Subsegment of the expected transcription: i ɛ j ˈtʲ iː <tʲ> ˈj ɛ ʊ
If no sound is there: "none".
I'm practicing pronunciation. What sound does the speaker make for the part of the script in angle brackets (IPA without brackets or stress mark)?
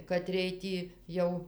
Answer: none